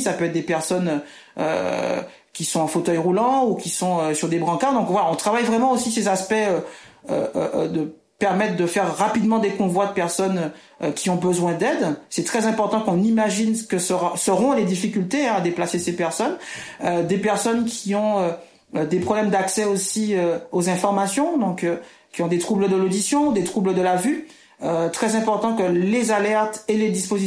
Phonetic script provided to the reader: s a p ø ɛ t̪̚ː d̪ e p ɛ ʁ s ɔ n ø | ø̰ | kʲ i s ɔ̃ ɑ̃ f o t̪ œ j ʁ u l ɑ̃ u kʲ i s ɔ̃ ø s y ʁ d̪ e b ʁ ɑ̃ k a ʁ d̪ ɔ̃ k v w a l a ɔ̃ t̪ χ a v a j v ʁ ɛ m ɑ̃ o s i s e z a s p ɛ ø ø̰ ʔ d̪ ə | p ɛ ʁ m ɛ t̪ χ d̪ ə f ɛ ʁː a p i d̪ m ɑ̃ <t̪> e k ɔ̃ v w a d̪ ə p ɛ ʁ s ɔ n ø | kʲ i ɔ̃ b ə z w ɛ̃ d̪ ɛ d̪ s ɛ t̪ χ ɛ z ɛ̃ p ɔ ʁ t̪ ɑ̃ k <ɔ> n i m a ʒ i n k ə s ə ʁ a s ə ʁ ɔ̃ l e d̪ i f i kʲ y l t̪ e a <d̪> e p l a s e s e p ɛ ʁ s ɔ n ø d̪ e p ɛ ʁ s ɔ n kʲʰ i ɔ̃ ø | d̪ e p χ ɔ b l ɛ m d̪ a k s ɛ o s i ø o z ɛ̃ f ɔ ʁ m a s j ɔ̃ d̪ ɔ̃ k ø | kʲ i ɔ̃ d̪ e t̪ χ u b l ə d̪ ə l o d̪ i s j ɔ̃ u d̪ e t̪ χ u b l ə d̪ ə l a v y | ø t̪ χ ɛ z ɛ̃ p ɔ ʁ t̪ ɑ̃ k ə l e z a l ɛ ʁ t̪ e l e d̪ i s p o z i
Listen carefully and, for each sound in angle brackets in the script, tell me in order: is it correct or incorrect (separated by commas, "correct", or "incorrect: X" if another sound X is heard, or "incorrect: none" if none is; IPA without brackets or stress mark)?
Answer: incorrect: d̪, incorrect: ɔ̃, correct